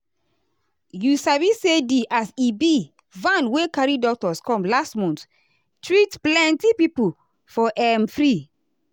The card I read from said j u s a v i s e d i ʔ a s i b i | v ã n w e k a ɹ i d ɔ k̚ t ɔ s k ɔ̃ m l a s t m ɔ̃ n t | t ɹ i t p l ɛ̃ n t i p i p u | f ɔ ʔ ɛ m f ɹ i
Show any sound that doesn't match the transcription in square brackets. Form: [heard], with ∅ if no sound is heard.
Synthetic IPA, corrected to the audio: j u s a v i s e d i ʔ a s i b i | v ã n w e k a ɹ i d ɔ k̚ t ɔ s k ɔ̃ m l a s t m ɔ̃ n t | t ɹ i t p l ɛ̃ n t i p i p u | f ɔ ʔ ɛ m f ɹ i